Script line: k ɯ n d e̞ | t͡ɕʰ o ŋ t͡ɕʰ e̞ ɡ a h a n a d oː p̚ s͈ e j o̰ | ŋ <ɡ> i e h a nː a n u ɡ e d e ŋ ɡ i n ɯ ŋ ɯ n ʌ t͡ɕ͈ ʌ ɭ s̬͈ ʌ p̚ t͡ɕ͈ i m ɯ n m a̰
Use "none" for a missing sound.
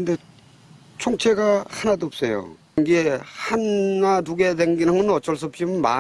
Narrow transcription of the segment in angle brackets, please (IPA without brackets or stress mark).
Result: ɡ